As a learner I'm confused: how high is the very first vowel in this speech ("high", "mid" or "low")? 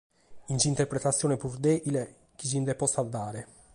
high